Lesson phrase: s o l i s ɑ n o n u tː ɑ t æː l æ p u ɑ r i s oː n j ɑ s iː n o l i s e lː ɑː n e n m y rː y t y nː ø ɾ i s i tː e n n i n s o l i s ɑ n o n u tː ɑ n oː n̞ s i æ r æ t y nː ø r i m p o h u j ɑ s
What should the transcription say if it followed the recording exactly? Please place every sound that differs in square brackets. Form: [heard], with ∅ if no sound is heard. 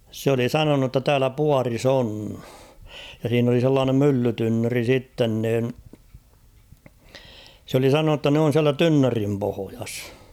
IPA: s o l i s ɑ n o n u tː ɑ t æː l æ p u ɑ r i s oː n j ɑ s iː n o l i s e lː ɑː n e [m] m y [lː] y t y nː ø [r] i s i tː e n n [iː] n s o l i s ɑ n o n u tː ɑ n oː n̞ s i æ [l] æ t y nː ø r i m p o h [o] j ɑ s